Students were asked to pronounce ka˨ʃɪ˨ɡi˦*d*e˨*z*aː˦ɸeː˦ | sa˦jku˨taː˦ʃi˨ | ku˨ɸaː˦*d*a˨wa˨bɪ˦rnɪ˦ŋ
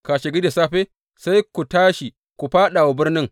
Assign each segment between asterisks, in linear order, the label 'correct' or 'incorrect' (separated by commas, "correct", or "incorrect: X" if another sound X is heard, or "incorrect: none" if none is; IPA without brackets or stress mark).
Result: correct, incorrect: s, incorrect: ɗ